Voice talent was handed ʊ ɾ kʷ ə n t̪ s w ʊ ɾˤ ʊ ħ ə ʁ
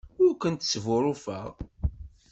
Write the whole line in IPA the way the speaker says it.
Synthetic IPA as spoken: ʊ ɾ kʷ ə n t̪ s v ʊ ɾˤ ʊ f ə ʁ